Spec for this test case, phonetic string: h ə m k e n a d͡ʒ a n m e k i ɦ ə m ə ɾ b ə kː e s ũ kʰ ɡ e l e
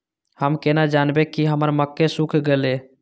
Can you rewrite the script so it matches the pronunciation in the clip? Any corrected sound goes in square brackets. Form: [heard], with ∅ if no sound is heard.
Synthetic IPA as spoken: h ə m k e n a d͡ʒ a n [b] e k i ɦ ə m ə ɾ [m] ə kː e s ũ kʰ ɡ e l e